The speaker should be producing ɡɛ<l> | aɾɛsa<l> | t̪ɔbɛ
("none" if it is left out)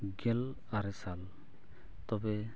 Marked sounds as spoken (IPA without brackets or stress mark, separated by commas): l, l